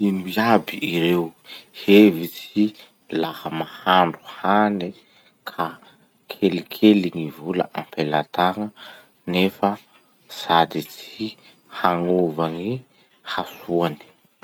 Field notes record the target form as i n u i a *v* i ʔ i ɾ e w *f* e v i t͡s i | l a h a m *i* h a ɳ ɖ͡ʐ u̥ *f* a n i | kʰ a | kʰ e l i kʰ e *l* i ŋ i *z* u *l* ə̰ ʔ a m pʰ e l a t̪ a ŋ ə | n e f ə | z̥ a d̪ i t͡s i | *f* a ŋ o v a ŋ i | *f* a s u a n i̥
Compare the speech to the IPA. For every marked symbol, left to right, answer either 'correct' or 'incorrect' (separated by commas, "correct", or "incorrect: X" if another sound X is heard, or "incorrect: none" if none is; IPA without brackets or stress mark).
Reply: incorrect: b, incorrect: h, incorrect: a, incorrect: h, correct, incorrect: v, correct, incorrect: h, incorrect: h